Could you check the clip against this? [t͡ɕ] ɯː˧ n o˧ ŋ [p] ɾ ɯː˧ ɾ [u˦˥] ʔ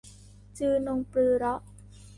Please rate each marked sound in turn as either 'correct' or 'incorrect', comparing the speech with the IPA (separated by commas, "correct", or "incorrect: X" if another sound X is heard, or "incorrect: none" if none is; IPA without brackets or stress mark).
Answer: correct, correct, incorrect: ɔ˦˥